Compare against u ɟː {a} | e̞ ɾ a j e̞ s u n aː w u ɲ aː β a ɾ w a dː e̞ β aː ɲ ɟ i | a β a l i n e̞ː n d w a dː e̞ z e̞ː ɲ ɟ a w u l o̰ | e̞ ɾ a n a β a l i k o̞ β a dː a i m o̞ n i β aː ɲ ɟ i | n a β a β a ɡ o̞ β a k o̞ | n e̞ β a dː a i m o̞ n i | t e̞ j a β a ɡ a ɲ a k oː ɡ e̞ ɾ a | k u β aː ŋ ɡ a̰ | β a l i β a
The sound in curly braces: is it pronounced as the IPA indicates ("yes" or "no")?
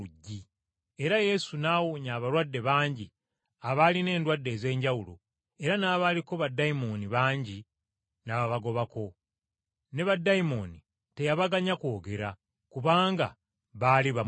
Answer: no